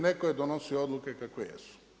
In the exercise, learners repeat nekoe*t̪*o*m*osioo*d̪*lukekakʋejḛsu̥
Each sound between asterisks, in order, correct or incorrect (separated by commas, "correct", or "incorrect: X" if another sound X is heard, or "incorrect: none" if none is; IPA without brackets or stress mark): incorrect: d̪, incorrect: n, correct